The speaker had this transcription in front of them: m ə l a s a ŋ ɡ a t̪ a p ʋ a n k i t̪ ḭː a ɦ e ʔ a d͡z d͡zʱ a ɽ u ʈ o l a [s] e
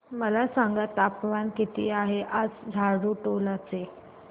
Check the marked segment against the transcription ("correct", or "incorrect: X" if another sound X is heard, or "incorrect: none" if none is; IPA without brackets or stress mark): incorrect: t͡s